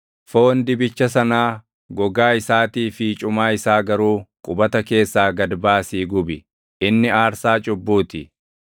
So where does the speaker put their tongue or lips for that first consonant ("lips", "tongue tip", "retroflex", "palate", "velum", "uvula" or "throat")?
lips